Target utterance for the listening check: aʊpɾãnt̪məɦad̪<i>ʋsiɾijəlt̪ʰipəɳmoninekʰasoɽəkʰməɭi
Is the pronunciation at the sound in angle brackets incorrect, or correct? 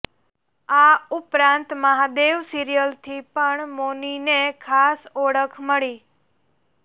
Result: incorrect